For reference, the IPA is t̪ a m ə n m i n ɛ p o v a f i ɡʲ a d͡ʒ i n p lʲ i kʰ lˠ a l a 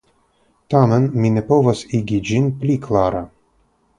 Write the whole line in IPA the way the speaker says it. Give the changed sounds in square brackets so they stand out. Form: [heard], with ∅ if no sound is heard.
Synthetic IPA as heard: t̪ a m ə n m i n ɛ p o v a [s] i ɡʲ [i] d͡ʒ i n p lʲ i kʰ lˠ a [ɾ] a